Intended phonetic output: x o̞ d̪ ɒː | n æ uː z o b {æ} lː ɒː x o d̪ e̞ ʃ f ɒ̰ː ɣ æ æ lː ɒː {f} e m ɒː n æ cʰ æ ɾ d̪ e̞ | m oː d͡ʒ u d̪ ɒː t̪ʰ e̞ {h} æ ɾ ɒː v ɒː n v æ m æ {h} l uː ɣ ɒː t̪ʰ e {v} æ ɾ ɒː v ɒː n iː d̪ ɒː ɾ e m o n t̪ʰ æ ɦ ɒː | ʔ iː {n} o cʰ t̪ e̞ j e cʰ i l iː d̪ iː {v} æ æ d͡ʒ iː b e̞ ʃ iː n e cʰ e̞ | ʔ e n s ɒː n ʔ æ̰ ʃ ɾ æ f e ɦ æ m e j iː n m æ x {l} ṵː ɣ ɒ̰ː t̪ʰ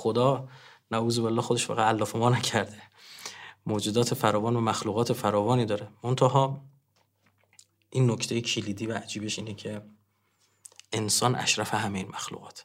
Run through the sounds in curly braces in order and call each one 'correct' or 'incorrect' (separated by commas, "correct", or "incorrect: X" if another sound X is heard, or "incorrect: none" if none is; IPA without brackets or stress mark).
incorrect: e, correct, incorrect: f, incorrect: x, incorrect: f, incorrect: nː, correct, correct